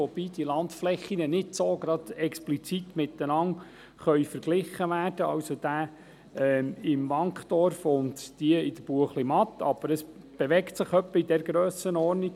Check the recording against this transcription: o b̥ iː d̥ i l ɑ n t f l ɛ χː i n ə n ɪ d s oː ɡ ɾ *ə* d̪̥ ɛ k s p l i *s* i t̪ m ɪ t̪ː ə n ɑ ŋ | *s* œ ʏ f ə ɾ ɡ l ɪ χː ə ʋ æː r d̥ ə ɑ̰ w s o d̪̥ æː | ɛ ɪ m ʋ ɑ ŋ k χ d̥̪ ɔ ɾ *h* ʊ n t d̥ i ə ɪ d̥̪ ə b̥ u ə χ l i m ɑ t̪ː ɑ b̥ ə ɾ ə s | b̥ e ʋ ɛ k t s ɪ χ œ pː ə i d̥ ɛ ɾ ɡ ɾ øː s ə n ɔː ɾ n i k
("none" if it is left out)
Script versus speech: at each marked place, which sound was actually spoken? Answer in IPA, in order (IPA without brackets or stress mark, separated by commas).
ɑ, t͡s, χ, f